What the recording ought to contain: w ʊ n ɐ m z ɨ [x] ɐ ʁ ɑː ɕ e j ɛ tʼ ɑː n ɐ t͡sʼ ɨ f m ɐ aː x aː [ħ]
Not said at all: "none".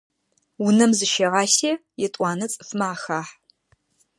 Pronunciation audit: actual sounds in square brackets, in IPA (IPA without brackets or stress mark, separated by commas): ʃ, ħ